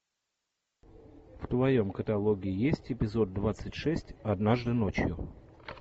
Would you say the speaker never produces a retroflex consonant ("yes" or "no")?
no